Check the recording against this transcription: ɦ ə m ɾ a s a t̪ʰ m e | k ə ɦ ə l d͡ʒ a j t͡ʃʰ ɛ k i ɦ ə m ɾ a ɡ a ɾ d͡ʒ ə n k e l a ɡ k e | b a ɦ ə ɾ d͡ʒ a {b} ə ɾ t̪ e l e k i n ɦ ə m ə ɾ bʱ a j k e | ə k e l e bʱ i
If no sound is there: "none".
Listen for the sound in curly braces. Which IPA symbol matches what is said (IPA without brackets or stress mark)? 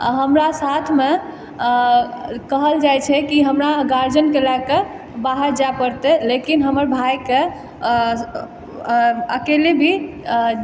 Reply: p